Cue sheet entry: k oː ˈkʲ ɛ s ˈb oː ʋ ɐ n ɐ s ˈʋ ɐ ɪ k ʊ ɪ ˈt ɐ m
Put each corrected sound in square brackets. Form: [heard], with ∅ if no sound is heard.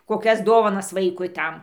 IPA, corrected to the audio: k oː ˈkʲ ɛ s [ˈd] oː ʋ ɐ n ɐ s ˈʋ ɐ ɪ k ʊ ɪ ˈt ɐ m